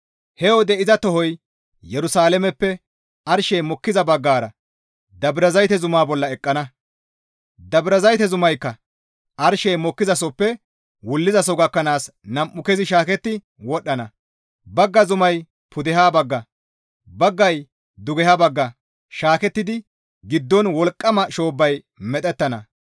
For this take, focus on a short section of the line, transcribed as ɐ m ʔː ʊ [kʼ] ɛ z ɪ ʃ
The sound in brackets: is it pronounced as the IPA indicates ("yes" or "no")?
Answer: no